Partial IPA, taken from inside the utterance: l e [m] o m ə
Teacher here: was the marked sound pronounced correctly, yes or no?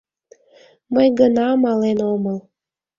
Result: no